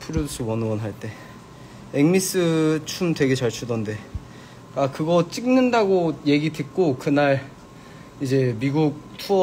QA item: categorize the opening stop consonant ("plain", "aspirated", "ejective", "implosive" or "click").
aspirated